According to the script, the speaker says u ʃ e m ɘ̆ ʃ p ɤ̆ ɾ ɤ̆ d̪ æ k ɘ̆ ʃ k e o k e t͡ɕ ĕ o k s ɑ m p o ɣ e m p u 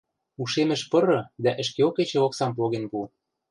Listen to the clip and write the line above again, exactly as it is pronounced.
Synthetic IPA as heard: u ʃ e m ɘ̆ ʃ p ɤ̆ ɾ ɤ̆ d̪ æ ʔ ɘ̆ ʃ k e o k e t͡ɕ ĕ o k s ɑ m p o ɣ e n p u